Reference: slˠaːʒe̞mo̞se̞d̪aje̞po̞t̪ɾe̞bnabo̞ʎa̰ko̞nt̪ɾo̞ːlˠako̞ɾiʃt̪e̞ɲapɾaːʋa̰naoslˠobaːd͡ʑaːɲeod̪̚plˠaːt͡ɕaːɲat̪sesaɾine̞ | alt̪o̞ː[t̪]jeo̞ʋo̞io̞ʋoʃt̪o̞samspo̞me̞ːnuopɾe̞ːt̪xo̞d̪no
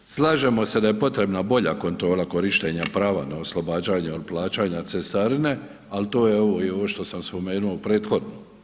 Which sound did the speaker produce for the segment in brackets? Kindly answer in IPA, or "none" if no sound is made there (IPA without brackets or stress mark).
none